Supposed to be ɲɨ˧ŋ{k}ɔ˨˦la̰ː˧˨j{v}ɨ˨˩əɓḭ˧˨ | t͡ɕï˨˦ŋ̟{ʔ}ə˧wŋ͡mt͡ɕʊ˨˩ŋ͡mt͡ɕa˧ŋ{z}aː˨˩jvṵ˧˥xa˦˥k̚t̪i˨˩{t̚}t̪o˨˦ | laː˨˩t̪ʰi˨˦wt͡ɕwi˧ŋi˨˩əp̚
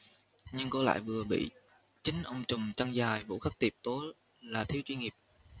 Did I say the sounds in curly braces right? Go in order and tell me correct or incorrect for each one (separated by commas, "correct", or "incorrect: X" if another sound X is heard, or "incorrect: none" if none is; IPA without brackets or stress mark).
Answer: correct, correct, correct, correct, incorrect: p̚